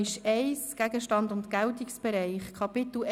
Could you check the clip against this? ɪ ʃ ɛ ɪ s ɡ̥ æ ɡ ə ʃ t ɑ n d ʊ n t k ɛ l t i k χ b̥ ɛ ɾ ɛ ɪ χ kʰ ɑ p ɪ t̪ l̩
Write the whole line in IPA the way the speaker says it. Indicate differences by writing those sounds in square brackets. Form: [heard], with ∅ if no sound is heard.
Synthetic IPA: ɪ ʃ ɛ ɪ s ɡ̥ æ ɡ ə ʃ t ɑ n d ʊ n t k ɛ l t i k [s] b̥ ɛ ɾ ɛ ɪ χ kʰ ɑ p ɪ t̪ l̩